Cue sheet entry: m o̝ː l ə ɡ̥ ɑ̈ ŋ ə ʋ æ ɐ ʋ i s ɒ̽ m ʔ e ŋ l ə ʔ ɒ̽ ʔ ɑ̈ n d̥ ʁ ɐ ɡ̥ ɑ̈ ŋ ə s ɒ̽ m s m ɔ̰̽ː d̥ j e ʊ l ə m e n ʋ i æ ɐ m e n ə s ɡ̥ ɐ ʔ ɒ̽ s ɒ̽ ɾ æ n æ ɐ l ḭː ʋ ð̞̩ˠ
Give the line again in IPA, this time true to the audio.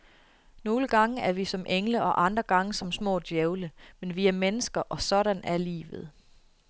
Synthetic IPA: n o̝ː l ə ɡ̥ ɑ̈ ŋ ə æ ɐ ʋ i s ɒ̽ m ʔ e ŋ l ə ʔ ɒ̽ ʔ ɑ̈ n d̥ ʁ ɐ ɡ̥ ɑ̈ ŋ ə s ɒ̽ m s m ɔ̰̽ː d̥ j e ʊ l ə m e n ʋ i æ ɐ m e n ə s ɡ̥ ɐ ʔ ɒ̽ s ɒ̽ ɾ æ n æ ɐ l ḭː ʋ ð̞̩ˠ